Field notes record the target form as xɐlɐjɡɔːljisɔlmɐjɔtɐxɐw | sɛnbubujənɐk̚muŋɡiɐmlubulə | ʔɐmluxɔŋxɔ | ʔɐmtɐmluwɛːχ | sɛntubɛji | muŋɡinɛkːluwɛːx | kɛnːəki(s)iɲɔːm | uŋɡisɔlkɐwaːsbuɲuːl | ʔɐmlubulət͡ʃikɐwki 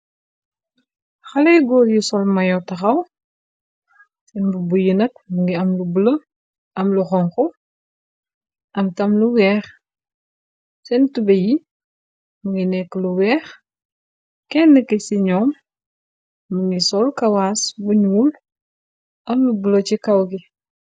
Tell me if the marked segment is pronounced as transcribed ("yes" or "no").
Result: yes